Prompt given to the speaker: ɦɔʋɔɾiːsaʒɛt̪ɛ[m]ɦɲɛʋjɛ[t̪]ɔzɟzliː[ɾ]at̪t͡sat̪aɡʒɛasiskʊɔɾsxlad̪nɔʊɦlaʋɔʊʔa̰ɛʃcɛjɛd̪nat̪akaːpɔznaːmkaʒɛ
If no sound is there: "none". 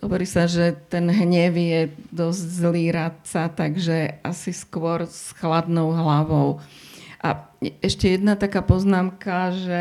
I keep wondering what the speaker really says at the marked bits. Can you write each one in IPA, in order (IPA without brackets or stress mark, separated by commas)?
n, d̪, ɾ